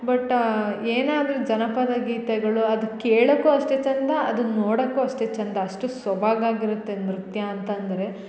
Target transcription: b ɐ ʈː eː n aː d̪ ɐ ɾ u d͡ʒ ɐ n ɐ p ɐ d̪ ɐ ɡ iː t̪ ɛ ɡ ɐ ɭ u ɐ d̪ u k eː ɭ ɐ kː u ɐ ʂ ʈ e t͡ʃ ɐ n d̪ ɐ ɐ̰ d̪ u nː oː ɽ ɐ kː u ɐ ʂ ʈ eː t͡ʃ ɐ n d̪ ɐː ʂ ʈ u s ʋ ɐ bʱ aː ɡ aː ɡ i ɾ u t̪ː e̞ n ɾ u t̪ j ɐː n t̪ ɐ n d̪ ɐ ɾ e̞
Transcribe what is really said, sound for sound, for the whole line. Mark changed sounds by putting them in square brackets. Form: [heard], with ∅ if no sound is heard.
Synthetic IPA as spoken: b ɐ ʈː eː n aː d̪ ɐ ɾ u d͡ʒ ɐ n ɐ p ɐ d̪ ɐ ɡ iː t̪ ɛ ɡ ɐ ɭ u ɐ d̪ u k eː ɭ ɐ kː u ɐ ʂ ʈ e t͡ʃ ɐ n d̪ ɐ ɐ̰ d̪ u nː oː ɽ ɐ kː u ɐ ʂ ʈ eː t͡ʃ ɐ n d̪ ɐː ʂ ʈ u s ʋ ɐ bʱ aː ɡ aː ɡ i ɾ u t̪ː e̞ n ɾ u t̪ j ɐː n t̪ ɐ n d̪ ɐ ɾ e̞